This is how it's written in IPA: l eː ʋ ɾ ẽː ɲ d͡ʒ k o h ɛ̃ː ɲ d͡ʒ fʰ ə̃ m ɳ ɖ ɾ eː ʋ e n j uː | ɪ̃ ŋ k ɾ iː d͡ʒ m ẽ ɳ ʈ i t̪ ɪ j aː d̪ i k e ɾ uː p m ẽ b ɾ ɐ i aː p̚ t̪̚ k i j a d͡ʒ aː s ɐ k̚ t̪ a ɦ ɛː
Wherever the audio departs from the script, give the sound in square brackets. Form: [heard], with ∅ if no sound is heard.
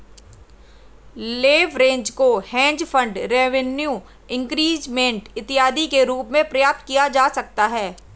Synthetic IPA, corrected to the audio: l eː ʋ ɾ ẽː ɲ d͡ʒ k o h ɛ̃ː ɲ d͡ʒ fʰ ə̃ [∅] ɳ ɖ ɾ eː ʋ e n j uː | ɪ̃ ŋ k ɾ iː d͡ʒ m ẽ ɳ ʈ [ɪ] t̪ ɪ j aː d̪ i k e ɾ uː p m ẽ [p] ɾ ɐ [j] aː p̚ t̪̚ k i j a d͡ʒ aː s ɐ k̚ t̪ a ɦ ɛː